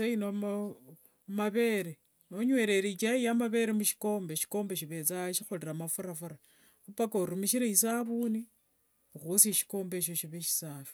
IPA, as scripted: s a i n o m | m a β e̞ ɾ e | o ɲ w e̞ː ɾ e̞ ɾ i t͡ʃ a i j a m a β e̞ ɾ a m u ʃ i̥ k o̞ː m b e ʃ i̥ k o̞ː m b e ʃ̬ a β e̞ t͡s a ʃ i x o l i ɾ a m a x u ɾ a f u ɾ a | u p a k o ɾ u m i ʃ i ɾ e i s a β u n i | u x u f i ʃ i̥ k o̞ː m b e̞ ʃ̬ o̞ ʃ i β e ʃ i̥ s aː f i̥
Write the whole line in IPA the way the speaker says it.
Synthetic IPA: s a i n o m | m a β e̞ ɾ e | o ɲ w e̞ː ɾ e̞ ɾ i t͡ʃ a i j a m a β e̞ ɾ e m u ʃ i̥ k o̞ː m b e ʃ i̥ k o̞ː m b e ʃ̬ i β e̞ t͡s a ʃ i x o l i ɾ a m a f u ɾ a f u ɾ a | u p a k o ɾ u m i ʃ i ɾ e i s a β u n i | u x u s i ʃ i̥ k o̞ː m b e̞ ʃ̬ o̞ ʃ i β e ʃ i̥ s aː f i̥